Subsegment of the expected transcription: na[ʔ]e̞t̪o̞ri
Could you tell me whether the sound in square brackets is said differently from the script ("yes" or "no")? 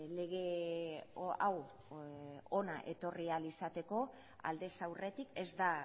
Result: no